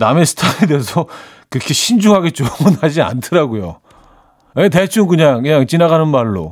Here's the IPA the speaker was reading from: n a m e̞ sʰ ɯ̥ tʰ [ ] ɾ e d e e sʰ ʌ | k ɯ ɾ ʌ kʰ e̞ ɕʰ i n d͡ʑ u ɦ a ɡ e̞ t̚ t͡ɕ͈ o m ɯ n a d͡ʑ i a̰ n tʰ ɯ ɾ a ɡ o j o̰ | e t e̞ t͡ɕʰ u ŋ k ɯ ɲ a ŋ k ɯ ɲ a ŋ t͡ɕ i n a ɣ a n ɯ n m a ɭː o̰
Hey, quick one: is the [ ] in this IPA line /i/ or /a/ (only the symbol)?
a